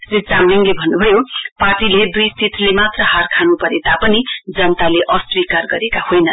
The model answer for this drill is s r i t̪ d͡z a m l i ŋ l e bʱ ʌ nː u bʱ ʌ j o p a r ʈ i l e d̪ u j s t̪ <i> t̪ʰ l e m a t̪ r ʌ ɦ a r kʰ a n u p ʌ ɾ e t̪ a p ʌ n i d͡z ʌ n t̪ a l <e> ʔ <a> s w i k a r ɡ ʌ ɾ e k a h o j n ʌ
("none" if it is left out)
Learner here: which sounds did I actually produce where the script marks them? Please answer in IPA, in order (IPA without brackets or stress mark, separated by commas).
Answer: i, e, ʌ